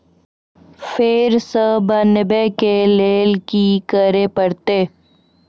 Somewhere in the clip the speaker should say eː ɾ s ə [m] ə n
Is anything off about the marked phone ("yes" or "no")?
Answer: yes